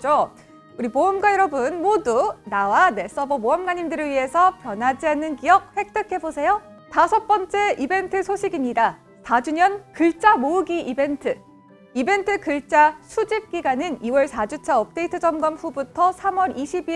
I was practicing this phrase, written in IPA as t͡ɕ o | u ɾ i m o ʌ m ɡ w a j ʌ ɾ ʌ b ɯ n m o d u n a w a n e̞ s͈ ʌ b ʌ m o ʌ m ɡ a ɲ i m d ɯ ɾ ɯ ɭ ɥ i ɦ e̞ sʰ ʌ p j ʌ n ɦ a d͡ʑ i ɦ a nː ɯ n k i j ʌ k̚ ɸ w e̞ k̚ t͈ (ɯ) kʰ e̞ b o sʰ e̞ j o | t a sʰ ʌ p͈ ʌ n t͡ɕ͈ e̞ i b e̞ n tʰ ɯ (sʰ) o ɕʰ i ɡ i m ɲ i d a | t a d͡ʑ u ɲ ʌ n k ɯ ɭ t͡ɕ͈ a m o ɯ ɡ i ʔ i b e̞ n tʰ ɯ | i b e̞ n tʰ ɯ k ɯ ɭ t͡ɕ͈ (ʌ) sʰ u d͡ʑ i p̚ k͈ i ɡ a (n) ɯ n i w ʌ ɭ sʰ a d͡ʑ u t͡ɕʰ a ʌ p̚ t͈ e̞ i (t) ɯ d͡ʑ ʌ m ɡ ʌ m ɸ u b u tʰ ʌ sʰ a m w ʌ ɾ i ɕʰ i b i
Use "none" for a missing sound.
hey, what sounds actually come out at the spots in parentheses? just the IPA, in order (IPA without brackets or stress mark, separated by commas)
ɯ, sʰ, a, n, tʰ